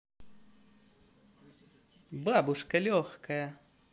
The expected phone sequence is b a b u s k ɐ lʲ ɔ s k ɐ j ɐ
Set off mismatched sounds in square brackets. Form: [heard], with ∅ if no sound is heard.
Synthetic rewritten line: b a b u [ʂ] k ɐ lʲ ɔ [x] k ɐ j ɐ